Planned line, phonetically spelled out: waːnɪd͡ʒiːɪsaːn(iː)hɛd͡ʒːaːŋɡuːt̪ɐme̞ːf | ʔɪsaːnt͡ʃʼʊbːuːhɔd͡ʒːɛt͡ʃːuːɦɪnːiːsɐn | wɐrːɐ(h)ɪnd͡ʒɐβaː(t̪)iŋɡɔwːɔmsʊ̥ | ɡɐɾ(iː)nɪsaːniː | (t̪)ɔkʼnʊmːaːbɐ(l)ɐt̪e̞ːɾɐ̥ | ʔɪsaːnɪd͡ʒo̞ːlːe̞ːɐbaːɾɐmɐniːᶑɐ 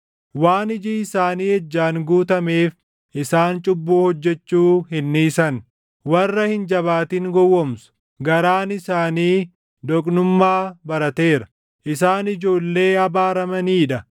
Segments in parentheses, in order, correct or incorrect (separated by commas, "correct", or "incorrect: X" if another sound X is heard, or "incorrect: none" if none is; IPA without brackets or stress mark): correct, correct, correct, incorrect: aː, incorrect: d̪, incorrect: ɾ